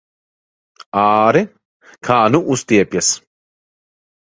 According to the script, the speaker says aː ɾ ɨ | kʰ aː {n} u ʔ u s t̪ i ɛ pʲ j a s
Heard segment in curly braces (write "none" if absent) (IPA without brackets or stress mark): n